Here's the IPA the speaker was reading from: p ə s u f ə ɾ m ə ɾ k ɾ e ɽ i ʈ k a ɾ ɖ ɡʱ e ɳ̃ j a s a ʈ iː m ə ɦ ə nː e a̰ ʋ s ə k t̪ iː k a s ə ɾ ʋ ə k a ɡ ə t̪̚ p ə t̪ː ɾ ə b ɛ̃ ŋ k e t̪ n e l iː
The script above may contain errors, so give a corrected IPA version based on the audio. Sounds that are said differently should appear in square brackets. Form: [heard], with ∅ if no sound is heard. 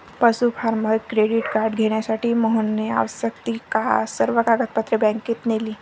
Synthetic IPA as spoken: p ə s u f [a] ɾ m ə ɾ k ɾ e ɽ i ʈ k a ɾ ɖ ɡʱ e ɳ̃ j a s a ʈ iː m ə ɦ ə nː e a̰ ʋ s ə k t̪ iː k a s ə ɾ ʋ ə k a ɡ ə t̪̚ p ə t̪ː ɾ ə b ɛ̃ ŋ k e t̪ n e l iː